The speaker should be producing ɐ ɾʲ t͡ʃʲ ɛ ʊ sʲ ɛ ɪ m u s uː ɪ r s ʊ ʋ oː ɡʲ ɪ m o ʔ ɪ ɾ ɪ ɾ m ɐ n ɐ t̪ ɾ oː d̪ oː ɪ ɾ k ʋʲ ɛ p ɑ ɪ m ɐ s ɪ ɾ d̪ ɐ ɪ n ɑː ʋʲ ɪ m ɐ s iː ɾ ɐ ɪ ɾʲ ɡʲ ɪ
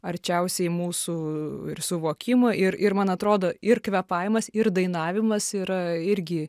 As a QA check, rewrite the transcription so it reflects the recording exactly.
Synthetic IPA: ɐ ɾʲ t͡ʃʲ ɛ ʊ sʲ ɛ ɪ m uː s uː ɪ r s ʊ ʋ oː kʲ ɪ m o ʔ ɪ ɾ ɪ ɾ m ɐ n ɐ t̪ ɾ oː d̪ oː ɪ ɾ k ʋʲ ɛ p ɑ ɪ m ɐ s ɪ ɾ d̪ ɐ ɪ n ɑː ʋʲ ɪ m ɐ s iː ɾ ɐ ɪ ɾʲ ɡʲ ɪ